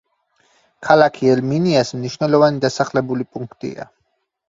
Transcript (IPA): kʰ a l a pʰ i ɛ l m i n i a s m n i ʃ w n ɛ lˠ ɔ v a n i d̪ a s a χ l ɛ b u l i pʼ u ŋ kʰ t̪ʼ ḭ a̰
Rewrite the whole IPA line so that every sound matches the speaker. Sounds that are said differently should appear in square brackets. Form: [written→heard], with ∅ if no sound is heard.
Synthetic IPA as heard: kʰ a l a [pʰ→kʰ] i ɛ l m i n i a s m n i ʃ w n ɛ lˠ ɔ v a n i d̪ a s a χ l ɛ b u l i pʼ u ŋ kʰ t̪ʼ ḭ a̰